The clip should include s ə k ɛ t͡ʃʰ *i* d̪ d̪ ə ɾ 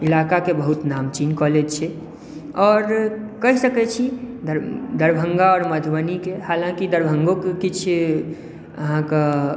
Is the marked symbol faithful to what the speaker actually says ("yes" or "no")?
yes